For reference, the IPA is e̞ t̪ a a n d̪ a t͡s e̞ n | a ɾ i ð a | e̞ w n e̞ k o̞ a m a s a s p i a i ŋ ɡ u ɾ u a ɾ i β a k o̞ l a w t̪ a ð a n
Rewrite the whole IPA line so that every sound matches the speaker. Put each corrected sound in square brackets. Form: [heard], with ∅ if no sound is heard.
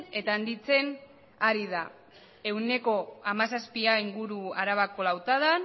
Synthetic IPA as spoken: e̞ t̪ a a n d̪ [i] t͡s e̞ n | a ɾ i ð a | e̞ w n e̞ k o̞ a m a s a s p i a i ŋ ɡ u ɾ u a ɾ [a] β a k o̞ l a w t̪ a ð a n